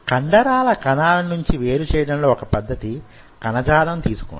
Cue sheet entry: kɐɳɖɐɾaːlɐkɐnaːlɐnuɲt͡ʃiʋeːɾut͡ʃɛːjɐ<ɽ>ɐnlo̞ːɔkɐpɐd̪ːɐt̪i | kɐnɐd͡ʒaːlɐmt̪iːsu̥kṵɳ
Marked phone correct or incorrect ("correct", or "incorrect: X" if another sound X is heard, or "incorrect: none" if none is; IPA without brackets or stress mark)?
correct